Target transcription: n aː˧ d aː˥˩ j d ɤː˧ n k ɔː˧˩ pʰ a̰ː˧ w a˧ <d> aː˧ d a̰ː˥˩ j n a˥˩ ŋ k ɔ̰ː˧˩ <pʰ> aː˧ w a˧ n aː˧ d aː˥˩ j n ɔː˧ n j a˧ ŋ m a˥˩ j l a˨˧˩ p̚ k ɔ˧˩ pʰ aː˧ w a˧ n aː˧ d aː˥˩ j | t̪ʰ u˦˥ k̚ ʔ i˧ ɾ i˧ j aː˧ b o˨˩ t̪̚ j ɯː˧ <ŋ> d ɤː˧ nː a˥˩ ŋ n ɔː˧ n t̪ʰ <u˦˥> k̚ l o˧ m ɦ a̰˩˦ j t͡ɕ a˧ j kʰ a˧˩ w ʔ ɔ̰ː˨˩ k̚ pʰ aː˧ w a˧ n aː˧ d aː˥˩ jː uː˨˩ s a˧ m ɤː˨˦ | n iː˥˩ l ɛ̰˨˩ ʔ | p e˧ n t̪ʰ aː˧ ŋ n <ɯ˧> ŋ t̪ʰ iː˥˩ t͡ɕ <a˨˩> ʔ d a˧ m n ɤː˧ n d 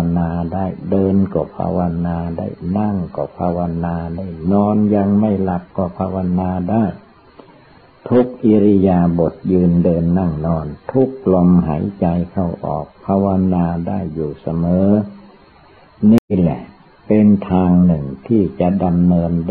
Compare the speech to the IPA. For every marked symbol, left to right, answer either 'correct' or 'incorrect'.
incorrect: n, correct, incorrect: n, correct, incorrect: ɯ˨˩, correct

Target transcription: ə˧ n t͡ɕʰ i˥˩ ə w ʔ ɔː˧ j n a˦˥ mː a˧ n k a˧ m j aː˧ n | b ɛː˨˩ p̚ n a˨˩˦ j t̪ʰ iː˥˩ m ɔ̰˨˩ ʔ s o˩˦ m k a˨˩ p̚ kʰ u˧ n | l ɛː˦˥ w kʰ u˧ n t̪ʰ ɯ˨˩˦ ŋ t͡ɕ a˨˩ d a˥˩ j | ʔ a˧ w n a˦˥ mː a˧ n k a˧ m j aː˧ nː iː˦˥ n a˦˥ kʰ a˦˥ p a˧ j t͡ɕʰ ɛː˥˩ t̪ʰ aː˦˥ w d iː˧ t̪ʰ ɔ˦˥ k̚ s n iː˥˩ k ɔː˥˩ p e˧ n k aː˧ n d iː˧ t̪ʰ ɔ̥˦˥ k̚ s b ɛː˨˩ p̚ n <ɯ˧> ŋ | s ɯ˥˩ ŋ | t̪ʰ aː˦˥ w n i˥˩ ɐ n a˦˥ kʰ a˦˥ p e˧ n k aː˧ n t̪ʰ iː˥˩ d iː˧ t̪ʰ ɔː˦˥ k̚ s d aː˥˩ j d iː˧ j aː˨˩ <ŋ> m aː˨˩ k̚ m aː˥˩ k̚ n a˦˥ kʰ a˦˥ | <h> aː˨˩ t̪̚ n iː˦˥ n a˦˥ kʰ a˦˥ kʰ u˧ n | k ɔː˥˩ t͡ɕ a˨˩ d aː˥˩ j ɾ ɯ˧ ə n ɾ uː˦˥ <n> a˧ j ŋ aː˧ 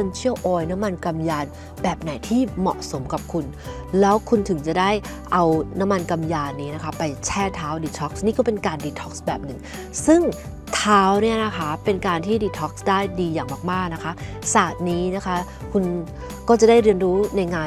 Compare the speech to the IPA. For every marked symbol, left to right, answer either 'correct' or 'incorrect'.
incorrect: ɯ˨˩, correct, incorrect: s, correct

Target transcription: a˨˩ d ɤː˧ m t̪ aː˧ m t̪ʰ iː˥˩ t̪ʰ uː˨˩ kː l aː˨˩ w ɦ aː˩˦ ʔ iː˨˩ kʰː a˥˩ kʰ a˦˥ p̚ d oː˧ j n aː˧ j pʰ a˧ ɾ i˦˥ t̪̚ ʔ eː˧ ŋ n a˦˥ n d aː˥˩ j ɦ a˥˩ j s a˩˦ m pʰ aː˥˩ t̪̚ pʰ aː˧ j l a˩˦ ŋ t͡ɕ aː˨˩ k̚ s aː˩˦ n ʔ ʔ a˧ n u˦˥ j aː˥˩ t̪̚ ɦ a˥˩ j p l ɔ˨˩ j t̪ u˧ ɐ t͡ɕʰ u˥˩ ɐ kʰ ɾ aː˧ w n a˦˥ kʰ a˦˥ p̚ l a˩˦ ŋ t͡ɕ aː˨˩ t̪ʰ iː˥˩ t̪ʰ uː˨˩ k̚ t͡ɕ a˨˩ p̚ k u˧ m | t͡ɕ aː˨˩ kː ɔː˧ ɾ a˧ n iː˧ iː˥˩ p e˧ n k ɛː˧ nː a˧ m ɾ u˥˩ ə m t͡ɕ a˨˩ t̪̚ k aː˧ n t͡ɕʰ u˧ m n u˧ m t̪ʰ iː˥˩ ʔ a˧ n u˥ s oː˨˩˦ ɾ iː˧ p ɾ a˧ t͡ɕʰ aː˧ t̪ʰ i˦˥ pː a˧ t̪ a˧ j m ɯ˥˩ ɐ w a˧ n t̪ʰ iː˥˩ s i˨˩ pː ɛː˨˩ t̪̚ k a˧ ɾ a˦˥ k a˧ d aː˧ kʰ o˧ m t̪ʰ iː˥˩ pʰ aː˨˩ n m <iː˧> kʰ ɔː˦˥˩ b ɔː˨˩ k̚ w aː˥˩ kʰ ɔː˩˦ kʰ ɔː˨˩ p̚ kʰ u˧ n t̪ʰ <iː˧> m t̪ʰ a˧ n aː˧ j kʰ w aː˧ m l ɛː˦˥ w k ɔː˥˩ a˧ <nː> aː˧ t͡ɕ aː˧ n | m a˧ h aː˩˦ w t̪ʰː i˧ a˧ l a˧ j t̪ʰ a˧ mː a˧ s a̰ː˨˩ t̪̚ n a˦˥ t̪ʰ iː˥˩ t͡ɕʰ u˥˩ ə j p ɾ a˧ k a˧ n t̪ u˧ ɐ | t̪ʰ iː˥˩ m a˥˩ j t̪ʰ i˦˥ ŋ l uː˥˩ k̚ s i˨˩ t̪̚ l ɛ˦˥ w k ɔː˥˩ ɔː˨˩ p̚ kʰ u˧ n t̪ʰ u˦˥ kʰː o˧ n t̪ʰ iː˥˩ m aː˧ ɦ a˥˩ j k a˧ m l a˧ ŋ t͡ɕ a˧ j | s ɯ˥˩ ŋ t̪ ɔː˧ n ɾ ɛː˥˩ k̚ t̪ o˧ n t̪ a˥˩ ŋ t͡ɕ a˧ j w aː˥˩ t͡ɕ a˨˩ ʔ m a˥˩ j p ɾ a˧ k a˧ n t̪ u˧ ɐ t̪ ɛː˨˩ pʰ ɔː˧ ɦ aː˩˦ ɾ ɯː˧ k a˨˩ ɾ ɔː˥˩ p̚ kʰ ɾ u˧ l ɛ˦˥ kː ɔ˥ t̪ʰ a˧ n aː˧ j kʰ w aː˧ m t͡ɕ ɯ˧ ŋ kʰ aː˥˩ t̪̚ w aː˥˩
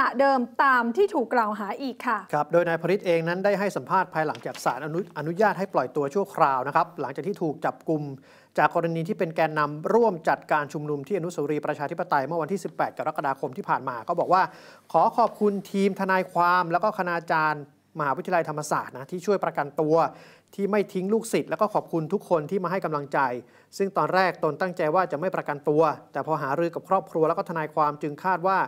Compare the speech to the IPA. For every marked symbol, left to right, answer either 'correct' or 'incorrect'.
incorrect: aː˧, correct, incorrect: n

